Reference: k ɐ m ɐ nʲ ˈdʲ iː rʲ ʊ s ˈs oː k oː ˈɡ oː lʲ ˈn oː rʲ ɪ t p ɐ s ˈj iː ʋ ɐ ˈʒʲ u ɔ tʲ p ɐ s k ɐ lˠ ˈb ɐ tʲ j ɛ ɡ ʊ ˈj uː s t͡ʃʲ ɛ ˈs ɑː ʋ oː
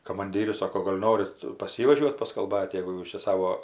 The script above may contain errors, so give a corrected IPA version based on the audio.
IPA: k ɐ m ɐ nʲ ˈdʲ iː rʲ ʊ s ˈs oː k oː ˈɡ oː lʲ ˈn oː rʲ ɪ t p ɐ s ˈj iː ʋ ɐ ˈʒʲ u ɔ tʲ p ɐ s k ɐ lˠ ˈb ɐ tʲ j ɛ ɡ ʊ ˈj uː s t͡ʃʲ ɛ ˈs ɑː ʋ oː

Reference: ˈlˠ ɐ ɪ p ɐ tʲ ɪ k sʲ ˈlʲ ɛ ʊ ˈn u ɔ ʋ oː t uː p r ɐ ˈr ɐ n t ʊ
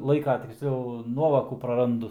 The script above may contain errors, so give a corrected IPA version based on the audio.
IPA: ˈlˠ ɐ ɪ k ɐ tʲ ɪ k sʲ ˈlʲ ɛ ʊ ˈn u ɔ ʋ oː k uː p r ɐ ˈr ɐ n d ʊ

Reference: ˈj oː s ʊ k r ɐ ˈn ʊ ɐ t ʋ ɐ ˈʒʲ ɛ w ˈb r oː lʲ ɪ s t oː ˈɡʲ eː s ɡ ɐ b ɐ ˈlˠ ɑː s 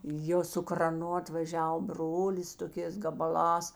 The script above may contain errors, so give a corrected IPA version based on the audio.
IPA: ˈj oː s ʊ k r ɐ ˈn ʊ ɐ t ʋ ɐ ˈʒʲ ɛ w ˈb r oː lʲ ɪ s t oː ˈkʲ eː s ɡ ɐ b ɐ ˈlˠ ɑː s

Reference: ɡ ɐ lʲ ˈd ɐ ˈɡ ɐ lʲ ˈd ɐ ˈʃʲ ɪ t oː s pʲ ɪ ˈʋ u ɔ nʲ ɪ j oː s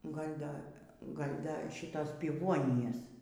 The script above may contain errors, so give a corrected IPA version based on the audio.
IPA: ɡ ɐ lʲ ˈd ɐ ˈɡ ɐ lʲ ˈd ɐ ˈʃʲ ɪ t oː s pʲ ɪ ˈʋ u ɔ nʲ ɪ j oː s

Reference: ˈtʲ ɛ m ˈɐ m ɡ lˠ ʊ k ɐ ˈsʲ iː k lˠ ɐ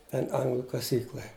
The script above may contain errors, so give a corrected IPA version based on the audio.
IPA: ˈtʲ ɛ n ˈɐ ŋ ɡ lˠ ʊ k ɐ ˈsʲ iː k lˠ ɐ

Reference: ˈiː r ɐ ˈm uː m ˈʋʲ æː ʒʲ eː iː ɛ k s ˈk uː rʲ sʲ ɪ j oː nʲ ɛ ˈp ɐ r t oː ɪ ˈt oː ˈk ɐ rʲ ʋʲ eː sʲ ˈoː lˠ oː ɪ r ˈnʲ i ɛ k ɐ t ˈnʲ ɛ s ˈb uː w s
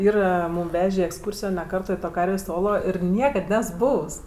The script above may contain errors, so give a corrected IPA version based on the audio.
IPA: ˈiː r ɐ ˈm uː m ˈʋʲ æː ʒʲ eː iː ɛ k s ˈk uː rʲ sʲ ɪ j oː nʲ ɛ ˈk ɐ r t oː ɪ ˈt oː ˈk ɐ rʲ ʋʲ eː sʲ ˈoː lˠ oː ɪ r ˈnʲ i ɛ k ɐ t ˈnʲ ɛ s ˈb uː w s

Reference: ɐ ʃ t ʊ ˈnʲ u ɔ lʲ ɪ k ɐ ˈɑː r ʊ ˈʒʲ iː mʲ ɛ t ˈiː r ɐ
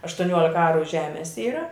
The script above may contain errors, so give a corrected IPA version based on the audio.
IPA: ɐ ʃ t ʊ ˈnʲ u ɔ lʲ ɪ k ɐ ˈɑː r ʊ ˈʒʲ æː mʲ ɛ s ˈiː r ɐ

